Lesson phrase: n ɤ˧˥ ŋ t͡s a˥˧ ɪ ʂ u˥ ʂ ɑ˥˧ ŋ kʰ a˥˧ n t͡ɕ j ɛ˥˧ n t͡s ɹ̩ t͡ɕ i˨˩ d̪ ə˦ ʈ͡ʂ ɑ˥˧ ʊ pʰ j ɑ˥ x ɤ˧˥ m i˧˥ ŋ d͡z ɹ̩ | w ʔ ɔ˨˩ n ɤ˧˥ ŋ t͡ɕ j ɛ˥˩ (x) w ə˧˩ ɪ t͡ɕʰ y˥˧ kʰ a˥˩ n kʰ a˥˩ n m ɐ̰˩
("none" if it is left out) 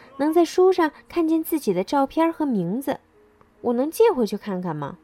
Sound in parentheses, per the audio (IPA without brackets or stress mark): x